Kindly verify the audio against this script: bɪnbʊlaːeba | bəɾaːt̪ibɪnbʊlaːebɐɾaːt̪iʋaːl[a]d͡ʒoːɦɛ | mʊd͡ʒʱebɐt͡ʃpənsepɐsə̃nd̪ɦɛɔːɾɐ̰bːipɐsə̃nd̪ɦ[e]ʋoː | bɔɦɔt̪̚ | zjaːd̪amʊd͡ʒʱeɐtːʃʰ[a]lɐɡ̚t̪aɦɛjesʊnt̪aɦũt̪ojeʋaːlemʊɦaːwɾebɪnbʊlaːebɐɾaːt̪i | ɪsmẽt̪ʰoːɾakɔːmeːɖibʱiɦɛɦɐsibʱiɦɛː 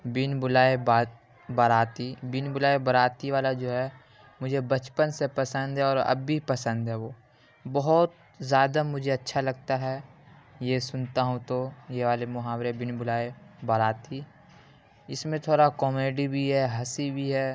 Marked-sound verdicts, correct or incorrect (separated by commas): correct, incorrect, correct